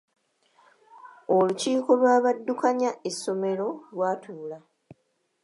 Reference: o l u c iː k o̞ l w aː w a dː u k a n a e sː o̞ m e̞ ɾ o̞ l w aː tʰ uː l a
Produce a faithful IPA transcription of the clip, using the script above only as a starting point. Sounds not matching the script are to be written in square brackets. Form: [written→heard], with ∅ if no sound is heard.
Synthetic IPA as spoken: o l u c iː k o̞ l w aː [w→β] a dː u k a [n→ɲ] a e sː o̞ m e̞ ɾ o̞ l w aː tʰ uː l a

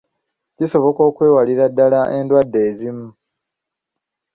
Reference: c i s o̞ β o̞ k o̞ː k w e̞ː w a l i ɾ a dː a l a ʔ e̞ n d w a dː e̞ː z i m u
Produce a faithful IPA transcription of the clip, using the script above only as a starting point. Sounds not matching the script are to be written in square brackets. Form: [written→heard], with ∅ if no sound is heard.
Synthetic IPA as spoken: c i s o̞ β o̞ k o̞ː k w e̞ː w a l i ɾ a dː a l a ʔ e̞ n d w a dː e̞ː z i m u

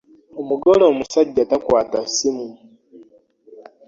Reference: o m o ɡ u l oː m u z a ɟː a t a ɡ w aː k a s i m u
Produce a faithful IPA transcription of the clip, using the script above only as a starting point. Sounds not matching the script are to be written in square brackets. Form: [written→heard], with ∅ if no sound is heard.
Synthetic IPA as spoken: o m [o→u] ɡ [u→o] l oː m u [z→s] a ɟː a t a [ɡ→k] w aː [k→t] a s i m u

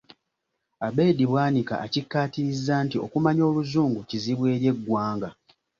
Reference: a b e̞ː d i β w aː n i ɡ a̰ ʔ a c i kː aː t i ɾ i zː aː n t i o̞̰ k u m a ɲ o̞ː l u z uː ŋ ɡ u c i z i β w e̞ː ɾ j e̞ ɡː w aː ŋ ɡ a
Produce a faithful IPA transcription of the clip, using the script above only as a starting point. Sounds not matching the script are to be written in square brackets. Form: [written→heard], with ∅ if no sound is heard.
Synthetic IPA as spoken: a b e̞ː d i β w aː n i [ɡ→k] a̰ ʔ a c i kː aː t i ɾ i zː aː n t i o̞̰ k u m a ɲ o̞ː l u z uː ŋ ɡ u c i z i β w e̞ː ɾ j e̞ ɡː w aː ŋ ɡ a

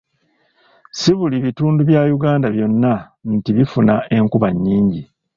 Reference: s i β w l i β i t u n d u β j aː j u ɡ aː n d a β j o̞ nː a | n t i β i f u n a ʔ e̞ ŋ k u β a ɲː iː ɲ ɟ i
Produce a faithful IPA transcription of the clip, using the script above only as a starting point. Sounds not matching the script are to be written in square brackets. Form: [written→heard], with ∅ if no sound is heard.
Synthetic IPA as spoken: s i β [w→u] l i β i t [u→uː] n d u β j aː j u ɡ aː n d a β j o̞ nː a | n t i β i f u n a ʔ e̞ ŋ k u β a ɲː iː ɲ ɟ i

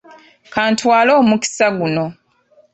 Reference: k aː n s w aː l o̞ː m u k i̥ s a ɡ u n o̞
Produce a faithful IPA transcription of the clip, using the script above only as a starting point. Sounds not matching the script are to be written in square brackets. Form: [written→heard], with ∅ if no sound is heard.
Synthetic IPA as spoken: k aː n [s→t] w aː l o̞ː m u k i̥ s a ɡ u n o̞

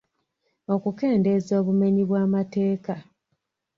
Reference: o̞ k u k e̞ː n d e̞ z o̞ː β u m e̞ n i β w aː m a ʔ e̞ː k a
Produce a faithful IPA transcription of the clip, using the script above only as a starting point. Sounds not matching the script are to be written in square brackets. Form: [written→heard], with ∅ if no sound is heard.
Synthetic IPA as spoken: o̞ k u k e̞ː n d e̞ z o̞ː β u m e̞ [n→ɲ] i β w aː m a [ʔ→t] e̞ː k a

